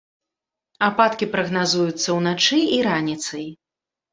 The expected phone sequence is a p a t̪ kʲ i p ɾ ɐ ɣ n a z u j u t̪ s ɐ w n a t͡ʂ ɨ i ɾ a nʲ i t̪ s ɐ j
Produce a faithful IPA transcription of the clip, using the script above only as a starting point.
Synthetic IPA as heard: a p a t̪ kʲ i p ɾ ɐ ɣ n a z u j u t̪ sː ɐ w n a t͡ʂ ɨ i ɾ a nʲ i t̪ s ɐ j